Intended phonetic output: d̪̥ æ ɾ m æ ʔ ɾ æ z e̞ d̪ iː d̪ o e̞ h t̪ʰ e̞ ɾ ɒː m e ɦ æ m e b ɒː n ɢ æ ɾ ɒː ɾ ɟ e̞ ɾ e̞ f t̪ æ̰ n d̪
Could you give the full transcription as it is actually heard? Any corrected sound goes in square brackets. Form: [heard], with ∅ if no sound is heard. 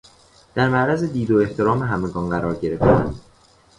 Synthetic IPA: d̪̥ æ ɾ m æ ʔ ɾ æ z e̞ d̪ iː d̪ o e̞ h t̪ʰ e̞ ɾ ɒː m e ɦ æ m e [ɡ] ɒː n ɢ æ ɾ ɒː ɾ ɟ e̞ ɾ e̞ f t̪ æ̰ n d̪